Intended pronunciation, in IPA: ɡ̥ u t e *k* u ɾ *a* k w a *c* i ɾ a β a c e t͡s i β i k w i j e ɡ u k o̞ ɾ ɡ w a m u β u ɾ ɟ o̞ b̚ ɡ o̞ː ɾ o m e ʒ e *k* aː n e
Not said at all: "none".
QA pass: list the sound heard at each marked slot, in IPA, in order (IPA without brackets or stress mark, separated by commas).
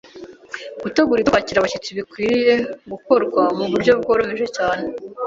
ɡ, i, c, c